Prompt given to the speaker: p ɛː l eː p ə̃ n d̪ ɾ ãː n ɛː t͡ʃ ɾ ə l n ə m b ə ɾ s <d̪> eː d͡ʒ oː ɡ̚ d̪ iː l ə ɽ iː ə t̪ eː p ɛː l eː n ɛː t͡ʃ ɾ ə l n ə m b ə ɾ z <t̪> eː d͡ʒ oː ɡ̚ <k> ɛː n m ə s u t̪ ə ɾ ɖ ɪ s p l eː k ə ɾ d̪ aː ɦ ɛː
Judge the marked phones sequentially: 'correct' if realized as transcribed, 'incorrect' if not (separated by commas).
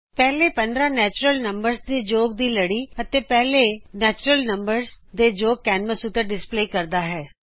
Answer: correct, incorrect, correct